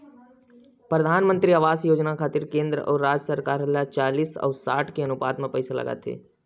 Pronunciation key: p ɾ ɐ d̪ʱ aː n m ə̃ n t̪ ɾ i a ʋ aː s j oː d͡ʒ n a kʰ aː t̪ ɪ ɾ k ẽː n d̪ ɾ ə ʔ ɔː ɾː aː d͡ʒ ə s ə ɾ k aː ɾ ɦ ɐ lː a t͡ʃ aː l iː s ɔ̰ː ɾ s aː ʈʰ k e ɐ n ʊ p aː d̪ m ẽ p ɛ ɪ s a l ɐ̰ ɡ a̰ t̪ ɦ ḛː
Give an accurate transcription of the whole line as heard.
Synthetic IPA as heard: p ɾ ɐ d̪ʱ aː n m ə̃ n t̪ ɾ i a ʋ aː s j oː d͡ʒ n a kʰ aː t̪ ɪ ɾ k ẽː n d̪ ɾ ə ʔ ɔː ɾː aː d͡ʒ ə s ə ɾ k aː ɾ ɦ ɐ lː a t͡ʃ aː l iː s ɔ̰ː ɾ s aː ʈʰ k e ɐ n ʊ p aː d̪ m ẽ p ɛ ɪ s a l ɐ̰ ɡ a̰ t̪ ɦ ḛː